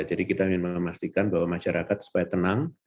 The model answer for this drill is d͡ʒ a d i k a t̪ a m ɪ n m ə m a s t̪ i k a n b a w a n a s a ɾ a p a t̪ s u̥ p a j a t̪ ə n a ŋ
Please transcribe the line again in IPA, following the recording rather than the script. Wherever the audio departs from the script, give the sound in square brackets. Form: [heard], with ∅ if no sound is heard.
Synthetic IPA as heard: d͡ʒ a d i k [i] t̪ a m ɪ n m ə m a s t̪ i k a n b a w a [m] a [ʃ] a ɾ a [k] a t̪ s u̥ p a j a t̪ ə n a ŋ